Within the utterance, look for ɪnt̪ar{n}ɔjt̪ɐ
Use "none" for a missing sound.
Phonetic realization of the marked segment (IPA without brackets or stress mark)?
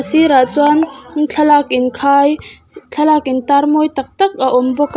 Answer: m